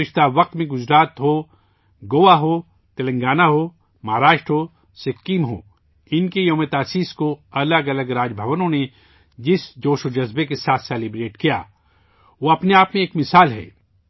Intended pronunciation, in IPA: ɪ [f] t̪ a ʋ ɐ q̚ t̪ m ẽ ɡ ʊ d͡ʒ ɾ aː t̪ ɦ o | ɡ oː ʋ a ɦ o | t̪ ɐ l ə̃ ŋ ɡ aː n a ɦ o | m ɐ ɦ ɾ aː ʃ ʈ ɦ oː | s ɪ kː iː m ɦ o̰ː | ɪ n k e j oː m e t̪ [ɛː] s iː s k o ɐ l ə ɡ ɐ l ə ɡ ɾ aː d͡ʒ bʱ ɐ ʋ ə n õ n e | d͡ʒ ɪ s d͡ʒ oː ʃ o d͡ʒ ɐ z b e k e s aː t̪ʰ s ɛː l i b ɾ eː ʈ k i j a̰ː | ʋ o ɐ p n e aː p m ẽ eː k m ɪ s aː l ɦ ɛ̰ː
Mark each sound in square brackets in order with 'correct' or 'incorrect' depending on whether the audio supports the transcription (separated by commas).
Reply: incorrect, incorrect